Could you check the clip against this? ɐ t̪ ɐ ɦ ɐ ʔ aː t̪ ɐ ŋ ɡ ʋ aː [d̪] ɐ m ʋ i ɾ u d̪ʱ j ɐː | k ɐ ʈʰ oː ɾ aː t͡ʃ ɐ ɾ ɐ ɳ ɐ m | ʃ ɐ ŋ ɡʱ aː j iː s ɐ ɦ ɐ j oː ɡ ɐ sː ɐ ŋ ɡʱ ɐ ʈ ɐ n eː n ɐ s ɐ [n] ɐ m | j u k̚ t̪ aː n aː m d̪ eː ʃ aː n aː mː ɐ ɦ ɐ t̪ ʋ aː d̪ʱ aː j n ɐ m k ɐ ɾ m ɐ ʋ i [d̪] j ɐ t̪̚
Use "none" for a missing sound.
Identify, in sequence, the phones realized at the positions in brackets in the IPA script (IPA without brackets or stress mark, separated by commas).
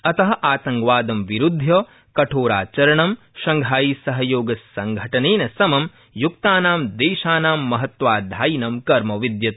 d̪, m, d̪